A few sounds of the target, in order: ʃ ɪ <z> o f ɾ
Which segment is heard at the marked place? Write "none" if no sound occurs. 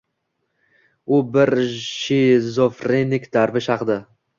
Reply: z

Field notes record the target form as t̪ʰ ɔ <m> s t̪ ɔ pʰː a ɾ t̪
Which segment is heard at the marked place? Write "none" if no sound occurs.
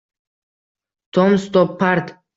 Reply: m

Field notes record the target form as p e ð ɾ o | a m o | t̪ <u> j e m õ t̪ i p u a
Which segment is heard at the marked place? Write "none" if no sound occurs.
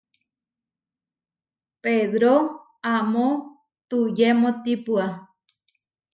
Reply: u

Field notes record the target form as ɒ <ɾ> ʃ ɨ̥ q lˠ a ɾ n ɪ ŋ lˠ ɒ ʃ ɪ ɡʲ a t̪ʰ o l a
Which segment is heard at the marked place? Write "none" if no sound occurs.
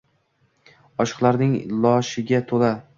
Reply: none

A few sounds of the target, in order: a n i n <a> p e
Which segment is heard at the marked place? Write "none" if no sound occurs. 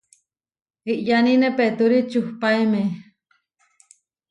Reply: e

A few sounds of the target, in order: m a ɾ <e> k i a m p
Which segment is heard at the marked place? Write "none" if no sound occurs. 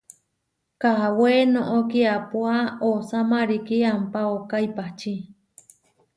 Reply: i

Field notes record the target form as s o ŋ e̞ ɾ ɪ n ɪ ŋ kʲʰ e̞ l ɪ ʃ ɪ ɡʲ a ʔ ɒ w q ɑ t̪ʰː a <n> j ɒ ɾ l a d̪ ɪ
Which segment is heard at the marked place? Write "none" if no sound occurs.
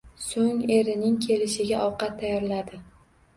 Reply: none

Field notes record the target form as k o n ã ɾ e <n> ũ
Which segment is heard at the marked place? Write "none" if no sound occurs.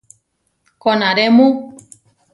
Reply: m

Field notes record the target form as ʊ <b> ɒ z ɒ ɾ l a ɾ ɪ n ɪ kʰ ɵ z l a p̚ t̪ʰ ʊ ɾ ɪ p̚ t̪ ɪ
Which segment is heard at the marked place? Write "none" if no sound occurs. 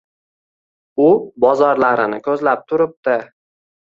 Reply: b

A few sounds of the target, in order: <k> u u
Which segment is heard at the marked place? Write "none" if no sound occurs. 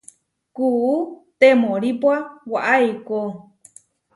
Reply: k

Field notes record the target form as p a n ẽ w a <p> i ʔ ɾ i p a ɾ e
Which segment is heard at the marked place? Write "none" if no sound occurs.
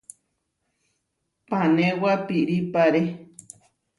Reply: p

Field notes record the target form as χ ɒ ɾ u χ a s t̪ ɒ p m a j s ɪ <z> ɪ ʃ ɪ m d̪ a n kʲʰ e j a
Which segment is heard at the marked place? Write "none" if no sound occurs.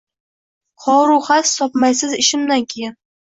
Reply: z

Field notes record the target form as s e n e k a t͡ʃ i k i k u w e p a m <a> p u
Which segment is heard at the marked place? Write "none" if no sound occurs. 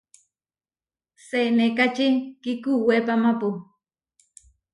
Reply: a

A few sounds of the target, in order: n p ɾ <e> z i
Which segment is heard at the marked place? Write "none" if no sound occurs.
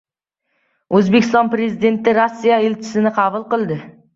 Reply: e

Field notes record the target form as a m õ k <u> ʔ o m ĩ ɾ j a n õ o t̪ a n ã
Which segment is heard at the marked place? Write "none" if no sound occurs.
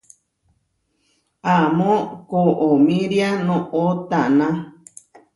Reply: o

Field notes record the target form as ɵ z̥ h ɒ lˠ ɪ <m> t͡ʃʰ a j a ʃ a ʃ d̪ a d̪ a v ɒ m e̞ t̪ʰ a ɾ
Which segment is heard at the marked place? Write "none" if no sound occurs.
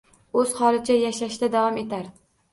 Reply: none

